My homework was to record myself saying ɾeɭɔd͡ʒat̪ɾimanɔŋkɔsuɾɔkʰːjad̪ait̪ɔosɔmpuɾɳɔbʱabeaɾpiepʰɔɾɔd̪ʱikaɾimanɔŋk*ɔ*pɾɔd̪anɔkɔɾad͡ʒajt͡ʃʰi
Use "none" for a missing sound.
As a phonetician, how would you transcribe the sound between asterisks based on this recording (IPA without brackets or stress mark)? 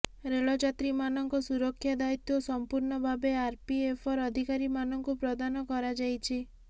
u